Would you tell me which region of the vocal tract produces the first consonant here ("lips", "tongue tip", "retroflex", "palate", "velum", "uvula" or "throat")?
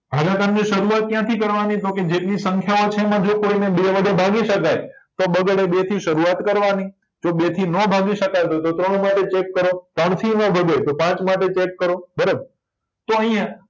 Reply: lips